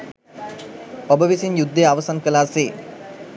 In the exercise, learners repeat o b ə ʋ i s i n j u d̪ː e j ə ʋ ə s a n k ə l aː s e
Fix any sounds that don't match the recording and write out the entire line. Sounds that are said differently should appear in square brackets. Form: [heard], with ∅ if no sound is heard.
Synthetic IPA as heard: o b ə ʋ i s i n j u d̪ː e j [a] ʋ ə s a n k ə l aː s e